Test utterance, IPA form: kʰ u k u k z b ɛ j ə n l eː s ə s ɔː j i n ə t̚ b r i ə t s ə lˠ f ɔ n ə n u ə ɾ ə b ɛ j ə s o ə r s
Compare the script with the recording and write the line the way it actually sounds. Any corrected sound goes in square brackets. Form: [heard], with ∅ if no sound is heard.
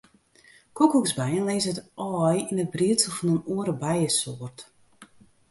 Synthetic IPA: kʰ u k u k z b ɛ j ə n l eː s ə [t] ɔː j i n ə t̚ b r i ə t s ə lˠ f ɔ n ə n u ə ɾ ə b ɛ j ə s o ə r [t]